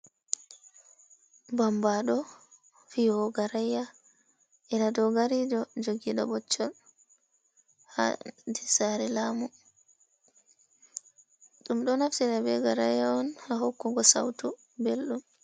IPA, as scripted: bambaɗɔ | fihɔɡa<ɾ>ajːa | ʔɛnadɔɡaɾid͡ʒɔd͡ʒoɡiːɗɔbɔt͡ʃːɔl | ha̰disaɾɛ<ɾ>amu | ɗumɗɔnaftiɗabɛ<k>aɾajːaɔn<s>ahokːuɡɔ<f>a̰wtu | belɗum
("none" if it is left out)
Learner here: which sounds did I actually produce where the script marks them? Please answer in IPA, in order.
ɾ, l, ɡ, h, s

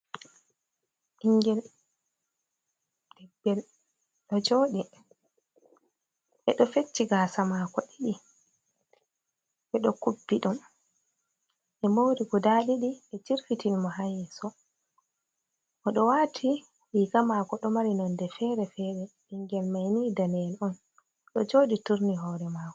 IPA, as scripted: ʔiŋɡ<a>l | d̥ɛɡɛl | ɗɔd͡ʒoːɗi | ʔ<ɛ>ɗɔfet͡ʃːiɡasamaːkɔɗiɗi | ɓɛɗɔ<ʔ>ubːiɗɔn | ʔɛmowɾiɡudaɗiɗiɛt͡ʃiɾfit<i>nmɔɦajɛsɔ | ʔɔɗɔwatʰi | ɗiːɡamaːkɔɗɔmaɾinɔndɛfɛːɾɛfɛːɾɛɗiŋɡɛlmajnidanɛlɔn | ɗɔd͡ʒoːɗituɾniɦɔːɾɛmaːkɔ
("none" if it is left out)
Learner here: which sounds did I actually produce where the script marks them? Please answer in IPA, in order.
ɛ, ɛ, k, i

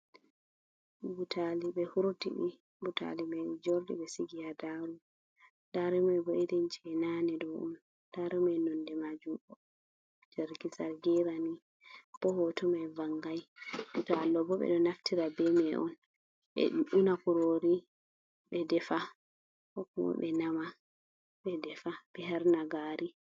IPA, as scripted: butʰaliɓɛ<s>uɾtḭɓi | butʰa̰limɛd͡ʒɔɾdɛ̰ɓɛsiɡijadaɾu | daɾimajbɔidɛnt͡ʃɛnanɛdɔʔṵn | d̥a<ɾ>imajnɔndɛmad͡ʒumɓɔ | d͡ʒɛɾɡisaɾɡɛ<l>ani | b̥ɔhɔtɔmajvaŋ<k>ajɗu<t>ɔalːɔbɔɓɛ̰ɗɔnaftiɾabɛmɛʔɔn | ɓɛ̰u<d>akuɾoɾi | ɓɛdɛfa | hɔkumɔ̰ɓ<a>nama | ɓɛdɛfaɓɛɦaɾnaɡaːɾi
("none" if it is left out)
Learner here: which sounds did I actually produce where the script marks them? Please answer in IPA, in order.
h, ɾ, ɾ, ɡ, t, n, ɛ

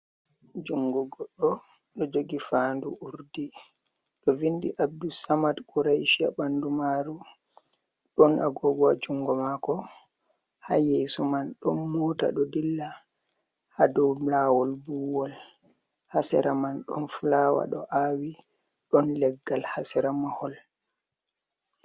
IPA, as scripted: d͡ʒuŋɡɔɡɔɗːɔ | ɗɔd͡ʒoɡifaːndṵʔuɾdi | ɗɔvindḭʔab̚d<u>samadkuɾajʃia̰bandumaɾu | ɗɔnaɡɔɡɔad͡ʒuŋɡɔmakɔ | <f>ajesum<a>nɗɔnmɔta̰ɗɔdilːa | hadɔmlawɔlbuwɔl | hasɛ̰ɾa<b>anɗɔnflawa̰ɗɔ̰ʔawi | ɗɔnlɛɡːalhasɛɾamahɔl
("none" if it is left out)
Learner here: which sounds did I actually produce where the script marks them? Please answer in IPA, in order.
u, h, a, m

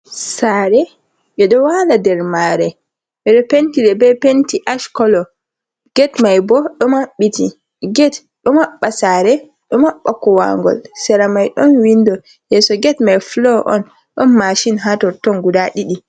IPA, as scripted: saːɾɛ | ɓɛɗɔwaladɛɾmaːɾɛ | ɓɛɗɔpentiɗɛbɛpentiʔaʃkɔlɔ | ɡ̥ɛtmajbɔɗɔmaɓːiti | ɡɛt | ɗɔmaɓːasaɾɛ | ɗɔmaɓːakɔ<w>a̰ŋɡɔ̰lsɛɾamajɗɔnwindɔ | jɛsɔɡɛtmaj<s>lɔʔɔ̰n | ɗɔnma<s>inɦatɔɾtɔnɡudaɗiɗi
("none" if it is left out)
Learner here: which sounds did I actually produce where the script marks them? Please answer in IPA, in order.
w, f, ʃ

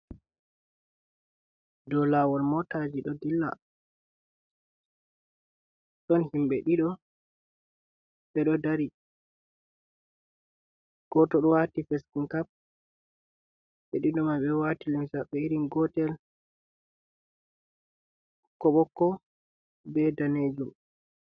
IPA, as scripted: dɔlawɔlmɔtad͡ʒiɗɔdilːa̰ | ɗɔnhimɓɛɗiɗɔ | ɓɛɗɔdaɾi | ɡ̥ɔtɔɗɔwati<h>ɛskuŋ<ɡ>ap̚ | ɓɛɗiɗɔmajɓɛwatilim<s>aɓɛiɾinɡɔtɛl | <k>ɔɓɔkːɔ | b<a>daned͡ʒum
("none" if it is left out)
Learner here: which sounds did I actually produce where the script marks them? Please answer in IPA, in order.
f, k, s, k, ɛ

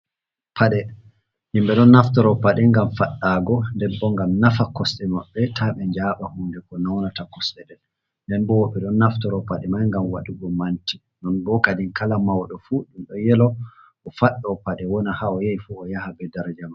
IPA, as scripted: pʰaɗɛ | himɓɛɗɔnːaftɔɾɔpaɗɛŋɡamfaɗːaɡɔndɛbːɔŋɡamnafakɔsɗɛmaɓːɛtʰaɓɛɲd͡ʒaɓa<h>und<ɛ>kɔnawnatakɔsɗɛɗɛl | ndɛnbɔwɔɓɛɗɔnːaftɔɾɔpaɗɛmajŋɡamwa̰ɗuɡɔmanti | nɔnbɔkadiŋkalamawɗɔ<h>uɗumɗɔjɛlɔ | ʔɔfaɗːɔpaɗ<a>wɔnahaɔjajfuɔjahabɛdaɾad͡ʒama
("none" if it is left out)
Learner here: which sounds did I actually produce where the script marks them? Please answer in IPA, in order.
h, ɛ, f, ɛ

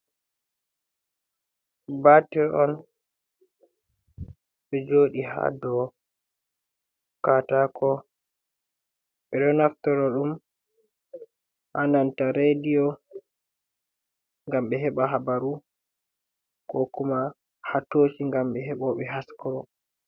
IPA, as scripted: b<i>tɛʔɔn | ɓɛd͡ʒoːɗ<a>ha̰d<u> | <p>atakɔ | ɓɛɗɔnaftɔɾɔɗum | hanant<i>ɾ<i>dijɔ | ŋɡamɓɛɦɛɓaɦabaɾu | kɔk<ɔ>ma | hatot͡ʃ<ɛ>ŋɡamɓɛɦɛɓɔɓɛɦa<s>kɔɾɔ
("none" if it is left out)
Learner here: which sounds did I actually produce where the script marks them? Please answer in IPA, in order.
a, i, ɔ, k, a, e, u, i, s

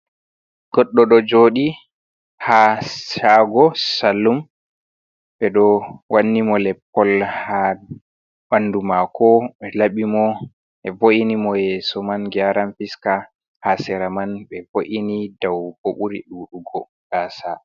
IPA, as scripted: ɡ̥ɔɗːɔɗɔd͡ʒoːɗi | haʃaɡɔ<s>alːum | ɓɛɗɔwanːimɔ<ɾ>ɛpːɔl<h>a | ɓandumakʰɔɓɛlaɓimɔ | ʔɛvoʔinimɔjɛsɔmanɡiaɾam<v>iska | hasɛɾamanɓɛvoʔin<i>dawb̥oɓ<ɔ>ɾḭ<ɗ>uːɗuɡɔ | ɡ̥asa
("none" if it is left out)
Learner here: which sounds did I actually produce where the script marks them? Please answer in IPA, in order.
s, l, h, f, i, u, ɗ

